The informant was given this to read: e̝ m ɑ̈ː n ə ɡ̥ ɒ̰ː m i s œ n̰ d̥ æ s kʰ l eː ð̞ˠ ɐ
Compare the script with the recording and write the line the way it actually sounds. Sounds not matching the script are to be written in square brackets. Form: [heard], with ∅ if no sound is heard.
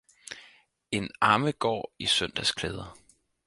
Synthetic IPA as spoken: e̝ [n] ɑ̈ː [m] ə ɡ̥ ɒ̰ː [∅] i s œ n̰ d̥ æ s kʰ l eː ð̞ˠ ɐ